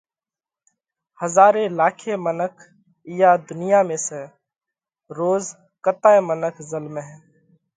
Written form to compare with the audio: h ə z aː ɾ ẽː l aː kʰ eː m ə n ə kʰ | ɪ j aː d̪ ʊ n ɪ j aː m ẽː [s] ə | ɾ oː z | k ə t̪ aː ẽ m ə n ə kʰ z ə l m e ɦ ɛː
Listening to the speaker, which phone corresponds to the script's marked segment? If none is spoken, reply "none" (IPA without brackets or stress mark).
s